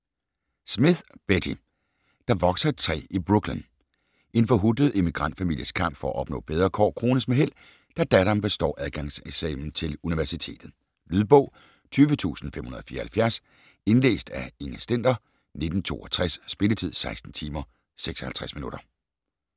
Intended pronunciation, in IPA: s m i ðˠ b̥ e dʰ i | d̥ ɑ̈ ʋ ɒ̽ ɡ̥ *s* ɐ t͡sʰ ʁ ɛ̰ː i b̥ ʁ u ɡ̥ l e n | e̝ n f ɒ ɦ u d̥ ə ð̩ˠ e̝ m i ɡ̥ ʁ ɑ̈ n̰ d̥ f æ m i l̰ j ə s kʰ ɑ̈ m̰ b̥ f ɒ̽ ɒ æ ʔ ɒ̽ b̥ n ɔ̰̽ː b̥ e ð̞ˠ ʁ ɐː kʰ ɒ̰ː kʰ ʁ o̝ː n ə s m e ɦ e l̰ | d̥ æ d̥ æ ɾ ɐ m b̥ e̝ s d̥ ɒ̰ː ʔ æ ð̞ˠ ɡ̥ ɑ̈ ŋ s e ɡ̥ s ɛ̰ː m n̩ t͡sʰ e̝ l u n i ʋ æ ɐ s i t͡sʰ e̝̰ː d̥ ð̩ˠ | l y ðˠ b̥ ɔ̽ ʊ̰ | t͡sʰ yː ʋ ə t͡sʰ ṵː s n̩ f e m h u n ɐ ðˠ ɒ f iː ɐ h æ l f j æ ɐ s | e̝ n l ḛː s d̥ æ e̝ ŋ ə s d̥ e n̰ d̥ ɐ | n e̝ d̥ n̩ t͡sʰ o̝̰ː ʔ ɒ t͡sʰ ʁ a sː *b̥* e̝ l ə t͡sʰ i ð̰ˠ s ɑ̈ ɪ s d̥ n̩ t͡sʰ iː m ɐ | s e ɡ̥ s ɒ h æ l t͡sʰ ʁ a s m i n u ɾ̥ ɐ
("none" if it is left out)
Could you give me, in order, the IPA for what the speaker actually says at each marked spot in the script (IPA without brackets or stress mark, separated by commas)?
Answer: s, b̥